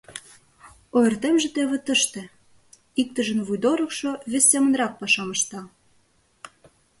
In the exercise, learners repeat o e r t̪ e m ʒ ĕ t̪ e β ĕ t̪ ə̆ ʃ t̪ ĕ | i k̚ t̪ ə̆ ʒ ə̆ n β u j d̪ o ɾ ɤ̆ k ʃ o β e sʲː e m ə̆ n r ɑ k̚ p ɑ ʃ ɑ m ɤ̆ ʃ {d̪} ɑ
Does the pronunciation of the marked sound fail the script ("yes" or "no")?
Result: yes